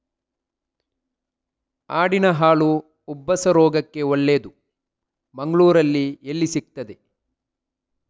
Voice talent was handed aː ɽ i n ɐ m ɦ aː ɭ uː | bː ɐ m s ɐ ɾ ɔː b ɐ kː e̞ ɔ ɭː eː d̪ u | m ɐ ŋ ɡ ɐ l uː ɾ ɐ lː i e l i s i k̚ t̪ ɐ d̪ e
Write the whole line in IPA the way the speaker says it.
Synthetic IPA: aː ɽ i n ɐ ɦ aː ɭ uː | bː ɐ s ɐ ɾ ɔː ɡ ɐ kː e̞ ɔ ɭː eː d̪ u | m ɐ ŋ ɡ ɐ ɭ uː ɾ ɐ lː i e lː i s i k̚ t̪ ɐ d̪ e